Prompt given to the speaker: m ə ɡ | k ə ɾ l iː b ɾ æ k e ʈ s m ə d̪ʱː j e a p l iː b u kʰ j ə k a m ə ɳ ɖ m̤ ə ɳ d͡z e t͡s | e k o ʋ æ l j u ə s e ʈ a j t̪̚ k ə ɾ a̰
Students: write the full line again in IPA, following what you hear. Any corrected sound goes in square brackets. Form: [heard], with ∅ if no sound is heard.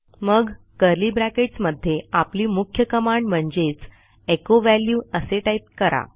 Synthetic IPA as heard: m ə ɡ | k ə ɾ l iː b ɾ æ k e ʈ s m ə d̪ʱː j e a p l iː [m] u kʰ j ə k [ə] m [a] ɳ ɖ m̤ ə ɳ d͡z e t͡s | e k o ʋ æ l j u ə s e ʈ a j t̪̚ k ə ɾ a̰